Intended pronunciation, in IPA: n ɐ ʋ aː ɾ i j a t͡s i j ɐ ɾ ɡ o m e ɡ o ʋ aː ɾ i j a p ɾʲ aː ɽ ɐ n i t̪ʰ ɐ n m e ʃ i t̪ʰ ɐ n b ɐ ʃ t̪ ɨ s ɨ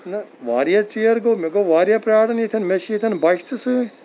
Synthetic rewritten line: n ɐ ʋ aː ɾ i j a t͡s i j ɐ ɾ ɡ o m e ɡ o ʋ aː ɾ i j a p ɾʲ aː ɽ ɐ n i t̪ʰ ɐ n m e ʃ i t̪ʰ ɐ n b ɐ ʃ t̪ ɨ s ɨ